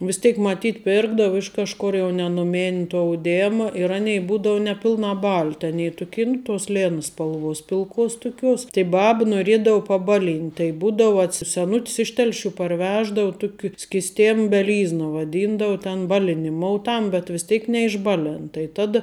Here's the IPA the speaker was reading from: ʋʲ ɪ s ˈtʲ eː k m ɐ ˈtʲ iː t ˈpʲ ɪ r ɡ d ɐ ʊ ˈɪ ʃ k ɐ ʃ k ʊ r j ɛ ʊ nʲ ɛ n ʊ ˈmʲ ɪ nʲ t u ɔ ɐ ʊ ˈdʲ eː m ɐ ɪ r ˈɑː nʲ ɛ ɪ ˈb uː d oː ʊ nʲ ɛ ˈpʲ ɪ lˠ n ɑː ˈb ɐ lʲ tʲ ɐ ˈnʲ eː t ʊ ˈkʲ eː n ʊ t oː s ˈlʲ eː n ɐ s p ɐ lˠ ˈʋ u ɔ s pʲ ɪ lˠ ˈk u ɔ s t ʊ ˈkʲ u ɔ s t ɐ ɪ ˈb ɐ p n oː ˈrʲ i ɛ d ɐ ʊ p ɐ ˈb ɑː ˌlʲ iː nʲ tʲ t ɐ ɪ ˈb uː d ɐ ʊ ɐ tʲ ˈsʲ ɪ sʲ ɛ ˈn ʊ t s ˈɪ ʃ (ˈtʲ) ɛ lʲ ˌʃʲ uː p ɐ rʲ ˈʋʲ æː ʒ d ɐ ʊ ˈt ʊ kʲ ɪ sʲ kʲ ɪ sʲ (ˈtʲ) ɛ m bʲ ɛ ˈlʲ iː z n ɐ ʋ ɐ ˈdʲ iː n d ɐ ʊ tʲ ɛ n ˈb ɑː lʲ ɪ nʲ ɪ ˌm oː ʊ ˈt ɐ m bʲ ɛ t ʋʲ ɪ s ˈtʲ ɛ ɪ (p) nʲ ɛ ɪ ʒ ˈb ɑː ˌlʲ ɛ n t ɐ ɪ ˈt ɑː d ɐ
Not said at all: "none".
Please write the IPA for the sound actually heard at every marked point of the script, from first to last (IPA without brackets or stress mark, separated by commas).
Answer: tʲ, tʲ, k